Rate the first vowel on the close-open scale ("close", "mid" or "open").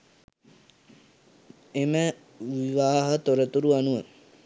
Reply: mid